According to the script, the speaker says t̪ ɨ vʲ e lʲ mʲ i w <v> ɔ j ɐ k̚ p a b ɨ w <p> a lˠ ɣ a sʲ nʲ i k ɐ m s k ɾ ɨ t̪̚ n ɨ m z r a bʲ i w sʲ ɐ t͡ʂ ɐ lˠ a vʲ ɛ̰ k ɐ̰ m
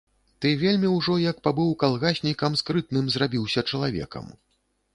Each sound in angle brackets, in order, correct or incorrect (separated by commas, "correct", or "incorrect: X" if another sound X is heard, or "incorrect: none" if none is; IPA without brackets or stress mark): incorrect: ʐ, incorrect: k